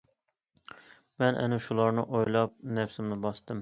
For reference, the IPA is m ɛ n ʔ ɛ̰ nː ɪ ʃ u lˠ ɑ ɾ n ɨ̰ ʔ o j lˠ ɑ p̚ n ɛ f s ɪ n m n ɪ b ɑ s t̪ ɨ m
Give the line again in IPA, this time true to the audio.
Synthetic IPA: m ɛ n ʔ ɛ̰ n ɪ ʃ u lˠ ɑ ɾ n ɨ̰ ʔ o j lˠ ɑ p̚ n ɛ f s ɪ m n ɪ b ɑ s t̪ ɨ m